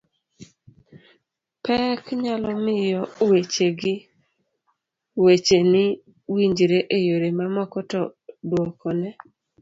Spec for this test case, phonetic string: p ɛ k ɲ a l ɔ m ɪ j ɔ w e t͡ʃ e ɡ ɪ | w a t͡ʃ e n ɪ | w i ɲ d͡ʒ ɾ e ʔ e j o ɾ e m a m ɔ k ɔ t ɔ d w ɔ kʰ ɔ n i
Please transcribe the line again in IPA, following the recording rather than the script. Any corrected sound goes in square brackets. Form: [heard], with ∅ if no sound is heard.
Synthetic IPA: p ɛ k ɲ a l ɔ m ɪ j ɔ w e t͡ʃ e ɡ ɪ | w [e] t͡ʃ e n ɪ | w i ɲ d͡ʒ ɾ e ʔ e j o ɾ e m a m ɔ k ɔ t ɔ d w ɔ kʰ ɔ n [ɛ]